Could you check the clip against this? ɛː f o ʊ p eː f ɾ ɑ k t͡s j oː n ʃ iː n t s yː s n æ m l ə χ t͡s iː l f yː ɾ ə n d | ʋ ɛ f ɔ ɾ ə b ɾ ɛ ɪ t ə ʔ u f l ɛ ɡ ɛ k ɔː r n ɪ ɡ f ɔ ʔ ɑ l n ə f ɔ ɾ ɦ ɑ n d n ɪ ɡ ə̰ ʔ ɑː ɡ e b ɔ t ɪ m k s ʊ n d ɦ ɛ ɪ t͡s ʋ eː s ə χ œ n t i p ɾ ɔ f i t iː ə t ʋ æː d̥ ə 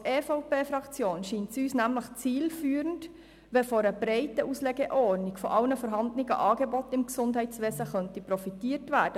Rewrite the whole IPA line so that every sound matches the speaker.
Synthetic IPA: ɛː f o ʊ p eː f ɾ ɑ k t͡s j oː n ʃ iː n t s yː s n æ m l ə χ t͡s iː l f yː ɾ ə n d | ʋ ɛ f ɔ ɾ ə b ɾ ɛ ɪ t ə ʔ u s l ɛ ɡ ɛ ʔ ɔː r n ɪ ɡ f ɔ ʔ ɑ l n ə f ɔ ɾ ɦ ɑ n d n ɪ ɡ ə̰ ʔ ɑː ɡ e b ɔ t ɪ m k s ʊ n d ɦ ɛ ɪ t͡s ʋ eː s ə χ œ n t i p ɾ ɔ f i t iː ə t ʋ æː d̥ ə